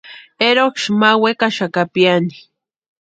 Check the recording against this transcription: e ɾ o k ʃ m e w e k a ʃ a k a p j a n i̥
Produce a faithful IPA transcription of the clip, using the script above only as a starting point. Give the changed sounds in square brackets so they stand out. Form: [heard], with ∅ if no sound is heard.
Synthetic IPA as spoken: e ɾ o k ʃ m [a] w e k a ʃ a k a p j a n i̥